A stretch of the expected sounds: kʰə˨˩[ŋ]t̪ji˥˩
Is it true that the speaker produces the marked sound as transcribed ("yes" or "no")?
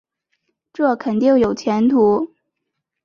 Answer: no